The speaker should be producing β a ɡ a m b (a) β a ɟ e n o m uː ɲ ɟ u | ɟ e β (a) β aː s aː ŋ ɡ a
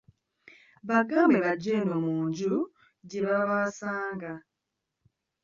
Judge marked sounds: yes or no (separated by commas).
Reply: no, yes